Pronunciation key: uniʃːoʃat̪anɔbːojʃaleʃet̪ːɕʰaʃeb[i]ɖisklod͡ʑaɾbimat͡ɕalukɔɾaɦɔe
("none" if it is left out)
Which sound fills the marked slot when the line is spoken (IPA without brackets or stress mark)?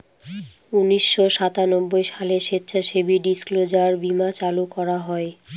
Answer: i